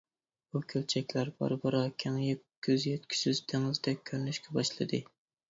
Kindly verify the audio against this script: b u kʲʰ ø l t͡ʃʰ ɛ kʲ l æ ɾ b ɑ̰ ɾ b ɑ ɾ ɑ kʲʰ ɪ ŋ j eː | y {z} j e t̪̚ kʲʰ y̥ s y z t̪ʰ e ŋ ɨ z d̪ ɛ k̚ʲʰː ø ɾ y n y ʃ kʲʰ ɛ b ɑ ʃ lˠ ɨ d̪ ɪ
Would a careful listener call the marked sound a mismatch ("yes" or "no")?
no